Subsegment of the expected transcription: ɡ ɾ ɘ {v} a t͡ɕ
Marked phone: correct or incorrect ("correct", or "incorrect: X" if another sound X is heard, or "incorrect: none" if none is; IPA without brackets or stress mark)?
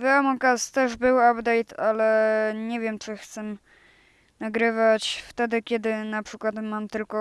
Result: correct